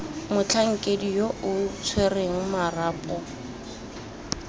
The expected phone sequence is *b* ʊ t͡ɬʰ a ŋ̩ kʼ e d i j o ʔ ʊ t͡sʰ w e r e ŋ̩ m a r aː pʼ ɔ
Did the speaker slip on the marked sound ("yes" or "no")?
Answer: yes